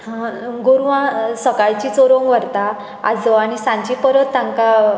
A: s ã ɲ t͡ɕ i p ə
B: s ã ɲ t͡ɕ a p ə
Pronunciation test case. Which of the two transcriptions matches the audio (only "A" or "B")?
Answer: A